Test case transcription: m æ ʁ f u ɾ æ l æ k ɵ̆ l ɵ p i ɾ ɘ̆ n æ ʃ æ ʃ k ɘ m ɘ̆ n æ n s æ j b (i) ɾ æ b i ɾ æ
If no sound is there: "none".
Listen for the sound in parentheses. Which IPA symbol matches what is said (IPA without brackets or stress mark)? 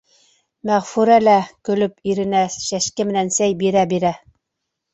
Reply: i